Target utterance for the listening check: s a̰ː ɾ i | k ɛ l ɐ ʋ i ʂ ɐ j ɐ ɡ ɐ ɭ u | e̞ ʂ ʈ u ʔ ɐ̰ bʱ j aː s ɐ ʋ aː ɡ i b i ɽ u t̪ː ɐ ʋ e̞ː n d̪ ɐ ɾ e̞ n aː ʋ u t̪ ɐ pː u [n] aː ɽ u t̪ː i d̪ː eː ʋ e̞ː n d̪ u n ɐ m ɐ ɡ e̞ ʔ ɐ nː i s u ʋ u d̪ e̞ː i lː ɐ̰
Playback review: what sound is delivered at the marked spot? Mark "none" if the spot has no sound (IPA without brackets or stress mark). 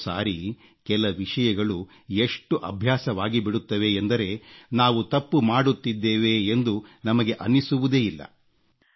m